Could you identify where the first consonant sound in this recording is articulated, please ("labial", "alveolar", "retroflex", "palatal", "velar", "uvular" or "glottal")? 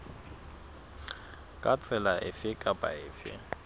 velar